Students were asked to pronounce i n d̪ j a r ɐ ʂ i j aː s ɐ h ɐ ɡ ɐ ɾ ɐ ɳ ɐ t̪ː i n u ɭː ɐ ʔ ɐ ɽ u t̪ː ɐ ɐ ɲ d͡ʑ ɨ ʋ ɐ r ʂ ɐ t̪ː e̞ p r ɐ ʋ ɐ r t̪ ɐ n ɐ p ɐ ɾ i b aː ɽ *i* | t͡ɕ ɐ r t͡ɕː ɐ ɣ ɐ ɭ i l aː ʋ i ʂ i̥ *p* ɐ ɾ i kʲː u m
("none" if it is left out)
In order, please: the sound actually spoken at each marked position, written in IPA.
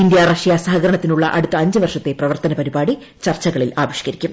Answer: i, k

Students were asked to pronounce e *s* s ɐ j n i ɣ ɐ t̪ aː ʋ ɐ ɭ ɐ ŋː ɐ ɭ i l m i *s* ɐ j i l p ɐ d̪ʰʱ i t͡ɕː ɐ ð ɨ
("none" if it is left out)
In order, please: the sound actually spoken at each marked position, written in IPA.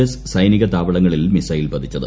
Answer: s, s

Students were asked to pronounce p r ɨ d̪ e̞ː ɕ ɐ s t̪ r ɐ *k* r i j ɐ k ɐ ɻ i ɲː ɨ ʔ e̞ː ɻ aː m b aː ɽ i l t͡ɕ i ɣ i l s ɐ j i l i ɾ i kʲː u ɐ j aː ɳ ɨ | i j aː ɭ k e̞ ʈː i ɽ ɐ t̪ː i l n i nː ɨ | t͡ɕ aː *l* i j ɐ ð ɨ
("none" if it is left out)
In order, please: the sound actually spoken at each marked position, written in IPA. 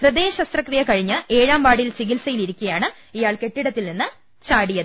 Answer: k, ɽ

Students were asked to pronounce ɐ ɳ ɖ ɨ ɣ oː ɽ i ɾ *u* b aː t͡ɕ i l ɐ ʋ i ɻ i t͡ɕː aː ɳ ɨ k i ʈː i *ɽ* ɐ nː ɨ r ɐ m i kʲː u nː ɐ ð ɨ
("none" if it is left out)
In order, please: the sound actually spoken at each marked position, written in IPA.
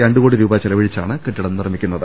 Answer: uː, ɽ

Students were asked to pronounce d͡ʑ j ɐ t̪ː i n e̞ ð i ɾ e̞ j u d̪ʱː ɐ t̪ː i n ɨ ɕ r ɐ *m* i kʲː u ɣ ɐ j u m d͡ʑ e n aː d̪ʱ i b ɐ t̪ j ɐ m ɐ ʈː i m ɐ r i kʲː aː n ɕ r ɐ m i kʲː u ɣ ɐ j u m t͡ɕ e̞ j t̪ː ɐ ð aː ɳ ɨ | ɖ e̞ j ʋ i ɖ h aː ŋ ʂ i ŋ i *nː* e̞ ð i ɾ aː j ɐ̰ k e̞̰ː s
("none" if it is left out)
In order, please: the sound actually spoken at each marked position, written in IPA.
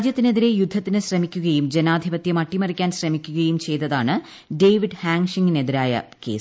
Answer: m, n

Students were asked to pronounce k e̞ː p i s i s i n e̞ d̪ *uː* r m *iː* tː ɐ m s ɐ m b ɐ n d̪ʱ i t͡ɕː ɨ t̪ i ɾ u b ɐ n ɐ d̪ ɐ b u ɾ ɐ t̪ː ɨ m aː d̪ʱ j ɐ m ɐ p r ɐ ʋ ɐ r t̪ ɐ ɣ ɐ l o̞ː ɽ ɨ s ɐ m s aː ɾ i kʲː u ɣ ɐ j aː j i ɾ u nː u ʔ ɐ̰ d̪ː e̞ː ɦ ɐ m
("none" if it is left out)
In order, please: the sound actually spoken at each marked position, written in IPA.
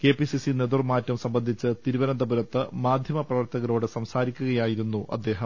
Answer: u, aː

